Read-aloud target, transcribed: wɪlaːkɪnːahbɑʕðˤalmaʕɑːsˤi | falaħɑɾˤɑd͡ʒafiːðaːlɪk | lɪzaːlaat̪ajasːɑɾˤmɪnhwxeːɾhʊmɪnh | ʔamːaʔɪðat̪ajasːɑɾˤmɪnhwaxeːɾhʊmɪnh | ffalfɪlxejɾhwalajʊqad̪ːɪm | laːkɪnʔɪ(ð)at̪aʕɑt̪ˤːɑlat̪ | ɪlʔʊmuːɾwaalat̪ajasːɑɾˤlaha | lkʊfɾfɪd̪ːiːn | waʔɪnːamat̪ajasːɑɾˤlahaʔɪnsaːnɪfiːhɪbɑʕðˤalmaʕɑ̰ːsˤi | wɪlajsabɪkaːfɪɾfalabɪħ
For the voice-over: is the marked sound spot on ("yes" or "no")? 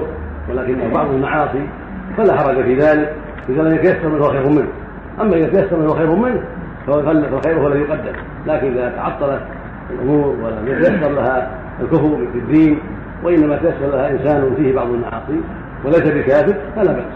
yes